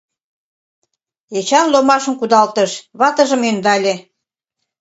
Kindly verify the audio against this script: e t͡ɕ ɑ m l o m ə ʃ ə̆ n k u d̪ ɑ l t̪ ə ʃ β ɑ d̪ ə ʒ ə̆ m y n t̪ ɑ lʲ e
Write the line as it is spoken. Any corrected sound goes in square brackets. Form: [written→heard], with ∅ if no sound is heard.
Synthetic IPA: e t͡ɕ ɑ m l o m [ə→ɑ] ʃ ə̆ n k u d̪ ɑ l t̪ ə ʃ β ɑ [d̪→t̪] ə ʒ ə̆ m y n [t̪→d̪] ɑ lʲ e